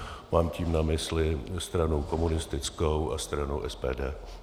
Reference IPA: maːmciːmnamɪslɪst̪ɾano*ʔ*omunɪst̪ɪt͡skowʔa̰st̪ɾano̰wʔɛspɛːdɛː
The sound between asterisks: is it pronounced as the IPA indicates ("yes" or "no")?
no